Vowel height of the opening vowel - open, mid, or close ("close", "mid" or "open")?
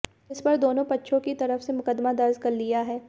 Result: close